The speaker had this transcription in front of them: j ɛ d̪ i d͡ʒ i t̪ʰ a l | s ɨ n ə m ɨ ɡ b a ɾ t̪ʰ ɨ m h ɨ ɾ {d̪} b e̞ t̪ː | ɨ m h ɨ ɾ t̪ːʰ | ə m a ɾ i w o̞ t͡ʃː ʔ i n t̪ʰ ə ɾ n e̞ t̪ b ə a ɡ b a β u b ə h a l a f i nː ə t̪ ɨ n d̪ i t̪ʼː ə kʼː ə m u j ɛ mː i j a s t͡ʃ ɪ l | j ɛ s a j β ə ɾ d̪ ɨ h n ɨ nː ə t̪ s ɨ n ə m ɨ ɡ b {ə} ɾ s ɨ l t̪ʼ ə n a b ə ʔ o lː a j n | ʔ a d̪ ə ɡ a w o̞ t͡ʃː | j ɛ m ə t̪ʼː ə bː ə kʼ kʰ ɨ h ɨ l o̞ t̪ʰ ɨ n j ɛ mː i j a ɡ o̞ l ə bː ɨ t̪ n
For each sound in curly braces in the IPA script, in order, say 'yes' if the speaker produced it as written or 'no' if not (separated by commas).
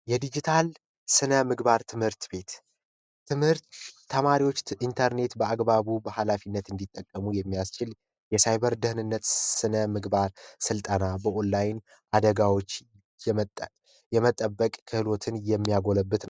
no, no